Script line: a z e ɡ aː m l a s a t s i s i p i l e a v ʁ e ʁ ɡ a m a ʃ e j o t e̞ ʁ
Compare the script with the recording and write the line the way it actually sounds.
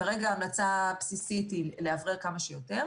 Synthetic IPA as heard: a ʁ e ɡ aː m l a t͡s a p s i s i t i l e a v ʁ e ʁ k a m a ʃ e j o t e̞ ʁ